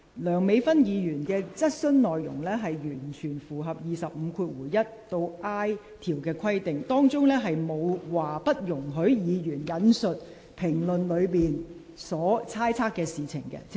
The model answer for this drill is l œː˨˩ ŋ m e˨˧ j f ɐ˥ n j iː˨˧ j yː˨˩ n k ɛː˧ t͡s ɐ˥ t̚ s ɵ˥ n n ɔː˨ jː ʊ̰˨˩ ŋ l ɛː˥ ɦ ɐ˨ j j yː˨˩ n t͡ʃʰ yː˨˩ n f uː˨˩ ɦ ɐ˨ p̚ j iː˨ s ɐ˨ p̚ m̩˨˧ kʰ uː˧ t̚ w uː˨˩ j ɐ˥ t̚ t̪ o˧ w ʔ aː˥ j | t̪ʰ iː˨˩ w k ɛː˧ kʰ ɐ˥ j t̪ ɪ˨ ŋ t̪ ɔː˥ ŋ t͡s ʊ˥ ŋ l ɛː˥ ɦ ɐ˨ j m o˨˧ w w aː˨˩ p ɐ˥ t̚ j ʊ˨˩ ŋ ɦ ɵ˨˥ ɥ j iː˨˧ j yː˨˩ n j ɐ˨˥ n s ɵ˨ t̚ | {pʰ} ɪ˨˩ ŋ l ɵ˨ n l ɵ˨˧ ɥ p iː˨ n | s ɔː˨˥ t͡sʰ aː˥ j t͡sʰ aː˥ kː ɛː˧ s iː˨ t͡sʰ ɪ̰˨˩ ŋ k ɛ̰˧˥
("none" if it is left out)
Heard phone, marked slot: pʰ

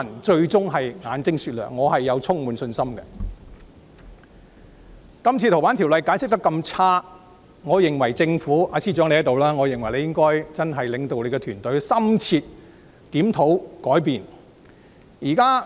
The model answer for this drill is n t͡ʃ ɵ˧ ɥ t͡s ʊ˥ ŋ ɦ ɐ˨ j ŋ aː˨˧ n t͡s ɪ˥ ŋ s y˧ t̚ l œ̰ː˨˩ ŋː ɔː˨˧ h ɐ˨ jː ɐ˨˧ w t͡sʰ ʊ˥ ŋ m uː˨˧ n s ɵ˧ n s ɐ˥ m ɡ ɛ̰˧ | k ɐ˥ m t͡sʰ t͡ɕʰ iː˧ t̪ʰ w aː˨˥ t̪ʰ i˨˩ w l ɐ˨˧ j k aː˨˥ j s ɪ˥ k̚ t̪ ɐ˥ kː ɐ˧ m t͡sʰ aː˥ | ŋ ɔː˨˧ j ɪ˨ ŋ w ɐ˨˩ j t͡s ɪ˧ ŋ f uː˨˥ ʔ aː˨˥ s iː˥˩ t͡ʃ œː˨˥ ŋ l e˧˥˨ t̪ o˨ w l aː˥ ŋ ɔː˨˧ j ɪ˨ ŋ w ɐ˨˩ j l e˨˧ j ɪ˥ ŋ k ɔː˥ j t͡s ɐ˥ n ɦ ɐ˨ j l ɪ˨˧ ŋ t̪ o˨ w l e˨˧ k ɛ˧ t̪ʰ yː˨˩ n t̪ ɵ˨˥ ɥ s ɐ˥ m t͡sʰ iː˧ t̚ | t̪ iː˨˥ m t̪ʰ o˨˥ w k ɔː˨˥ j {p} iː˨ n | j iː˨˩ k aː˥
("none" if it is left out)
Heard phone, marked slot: p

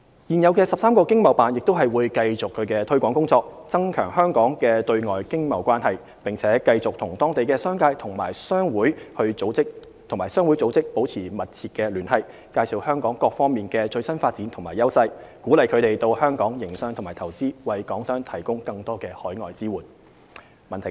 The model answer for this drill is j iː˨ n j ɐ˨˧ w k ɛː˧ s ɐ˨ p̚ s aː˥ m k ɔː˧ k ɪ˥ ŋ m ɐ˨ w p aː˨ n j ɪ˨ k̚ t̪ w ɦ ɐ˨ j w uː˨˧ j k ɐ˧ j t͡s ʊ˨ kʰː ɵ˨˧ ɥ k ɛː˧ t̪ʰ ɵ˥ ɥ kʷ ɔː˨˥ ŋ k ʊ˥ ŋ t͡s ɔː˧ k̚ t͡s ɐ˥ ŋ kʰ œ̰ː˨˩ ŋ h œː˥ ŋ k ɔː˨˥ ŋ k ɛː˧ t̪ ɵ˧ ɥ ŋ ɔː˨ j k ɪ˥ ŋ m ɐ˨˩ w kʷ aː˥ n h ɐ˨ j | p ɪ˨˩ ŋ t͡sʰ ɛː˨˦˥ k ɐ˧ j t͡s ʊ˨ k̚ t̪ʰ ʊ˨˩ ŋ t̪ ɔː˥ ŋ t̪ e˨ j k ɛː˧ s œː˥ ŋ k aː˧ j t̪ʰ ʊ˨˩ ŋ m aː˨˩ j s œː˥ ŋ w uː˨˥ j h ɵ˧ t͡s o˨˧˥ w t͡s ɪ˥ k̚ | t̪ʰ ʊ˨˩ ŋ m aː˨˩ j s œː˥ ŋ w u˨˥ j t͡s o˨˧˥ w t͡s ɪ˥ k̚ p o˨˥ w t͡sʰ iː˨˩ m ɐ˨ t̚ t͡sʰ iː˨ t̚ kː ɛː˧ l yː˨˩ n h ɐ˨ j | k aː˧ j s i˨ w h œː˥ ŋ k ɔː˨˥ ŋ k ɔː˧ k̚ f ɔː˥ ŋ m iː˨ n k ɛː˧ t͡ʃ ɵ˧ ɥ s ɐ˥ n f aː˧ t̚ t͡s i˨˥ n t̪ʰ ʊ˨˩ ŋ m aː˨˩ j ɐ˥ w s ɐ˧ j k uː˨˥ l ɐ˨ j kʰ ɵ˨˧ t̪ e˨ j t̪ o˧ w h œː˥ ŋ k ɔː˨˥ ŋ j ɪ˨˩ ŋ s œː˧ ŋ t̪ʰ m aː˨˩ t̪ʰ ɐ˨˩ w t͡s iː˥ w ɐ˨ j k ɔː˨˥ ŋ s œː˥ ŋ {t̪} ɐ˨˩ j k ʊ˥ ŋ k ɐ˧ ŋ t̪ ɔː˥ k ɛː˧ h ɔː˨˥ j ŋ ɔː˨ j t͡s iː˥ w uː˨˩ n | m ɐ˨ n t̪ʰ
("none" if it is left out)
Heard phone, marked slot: t̪ʰ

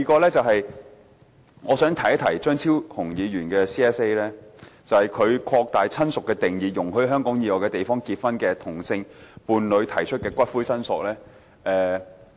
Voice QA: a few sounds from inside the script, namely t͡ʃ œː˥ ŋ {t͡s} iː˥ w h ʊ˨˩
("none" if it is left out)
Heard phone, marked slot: t͡sʰ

